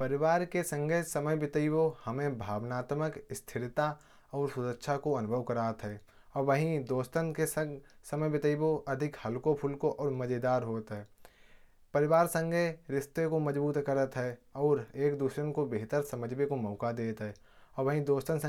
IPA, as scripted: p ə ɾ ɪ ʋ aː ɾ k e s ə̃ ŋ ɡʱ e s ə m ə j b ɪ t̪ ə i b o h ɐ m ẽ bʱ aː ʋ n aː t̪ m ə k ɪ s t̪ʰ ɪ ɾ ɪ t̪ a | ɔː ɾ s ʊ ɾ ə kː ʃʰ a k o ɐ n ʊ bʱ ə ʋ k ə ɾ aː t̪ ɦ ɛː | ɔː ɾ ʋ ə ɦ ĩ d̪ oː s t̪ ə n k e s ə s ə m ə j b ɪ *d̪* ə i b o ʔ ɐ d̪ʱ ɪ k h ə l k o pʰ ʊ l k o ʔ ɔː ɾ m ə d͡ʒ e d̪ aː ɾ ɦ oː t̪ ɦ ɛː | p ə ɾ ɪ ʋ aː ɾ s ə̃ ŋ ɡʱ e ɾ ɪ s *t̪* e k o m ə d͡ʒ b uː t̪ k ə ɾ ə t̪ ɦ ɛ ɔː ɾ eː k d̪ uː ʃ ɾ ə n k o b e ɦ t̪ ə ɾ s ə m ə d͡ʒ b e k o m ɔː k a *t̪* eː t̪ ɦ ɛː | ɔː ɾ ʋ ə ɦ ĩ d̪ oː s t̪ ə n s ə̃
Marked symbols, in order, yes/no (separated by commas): no, yes, no